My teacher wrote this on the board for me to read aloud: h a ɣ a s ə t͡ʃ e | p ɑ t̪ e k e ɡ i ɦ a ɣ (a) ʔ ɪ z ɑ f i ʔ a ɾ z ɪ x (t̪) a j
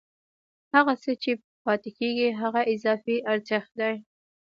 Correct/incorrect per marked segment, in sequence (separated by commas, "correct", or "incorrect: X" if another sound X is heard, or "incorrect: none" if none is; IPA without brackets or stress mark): correct, incorrect: d̪